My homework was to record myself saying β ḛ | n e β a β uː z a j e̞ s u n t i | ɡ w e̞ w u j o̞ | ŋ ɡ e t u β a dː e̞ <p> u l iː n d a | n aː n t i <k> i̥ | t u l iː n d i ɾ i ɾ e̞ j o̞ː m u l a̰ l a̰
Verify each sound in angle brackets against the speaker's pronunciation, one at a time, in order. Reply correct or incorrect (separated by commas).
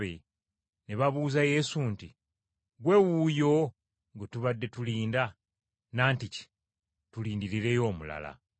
incorrect, incorrect